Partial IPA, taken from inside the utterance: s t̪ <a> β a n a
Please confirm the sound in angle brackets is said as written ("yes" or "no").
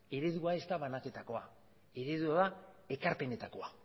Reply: yes